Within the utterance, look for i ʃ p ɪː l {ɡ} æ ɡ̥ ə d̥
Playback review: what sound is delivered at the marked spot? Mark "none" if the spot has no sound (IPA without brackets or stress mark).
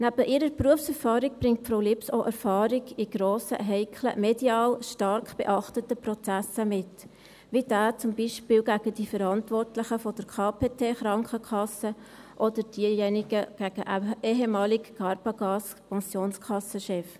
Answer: ɡ